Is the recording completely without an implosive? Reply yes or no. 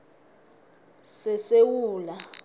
yes